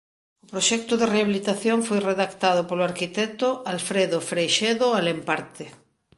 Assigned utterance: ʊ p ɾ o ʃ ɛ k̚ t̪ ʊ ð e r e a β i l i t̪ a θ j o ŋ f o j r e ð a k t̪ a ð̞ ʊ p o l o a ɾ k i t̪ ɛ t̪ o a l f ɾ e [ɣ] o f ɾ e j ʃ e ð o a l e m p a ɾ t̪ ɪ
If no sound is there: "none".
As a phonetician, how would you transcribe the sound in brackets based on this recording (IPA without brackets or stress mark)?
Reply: ð